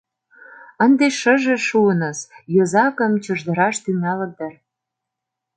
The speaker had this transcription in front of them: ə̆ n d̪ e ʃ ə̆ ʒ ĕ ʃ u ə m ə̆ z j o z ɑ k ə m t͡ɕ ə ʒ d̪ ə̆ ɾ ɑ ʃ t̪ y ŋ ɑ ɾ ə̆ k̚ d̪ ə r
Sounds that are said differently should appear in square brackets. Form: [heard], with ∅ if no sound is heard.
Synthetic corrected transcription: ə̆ n d̪ e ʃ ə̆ ʒ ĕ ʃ u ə [n] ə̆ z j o z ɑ k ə m t͡ɕ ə ʒ d̪ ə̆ ɾ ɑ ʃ t̪ y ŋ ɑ [l] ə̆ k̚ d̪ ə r